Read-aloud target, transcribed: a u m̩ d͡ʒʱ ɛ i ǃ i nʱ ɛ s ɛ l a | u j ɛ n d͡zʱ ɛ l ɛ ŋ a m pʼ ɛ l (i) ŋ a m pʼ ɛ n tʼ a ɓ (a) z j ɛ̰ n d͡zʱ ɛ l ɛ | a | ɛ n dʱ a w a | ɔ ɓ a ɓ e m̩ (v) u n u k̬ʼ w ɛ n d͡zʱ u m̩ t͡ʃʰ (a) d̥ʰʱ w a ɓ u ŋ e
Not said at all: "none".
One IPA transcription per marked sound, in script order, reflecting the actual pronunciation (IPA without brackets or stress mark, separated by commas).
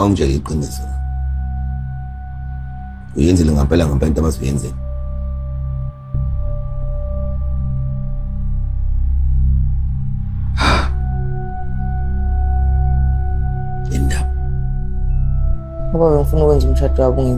a, a, f, a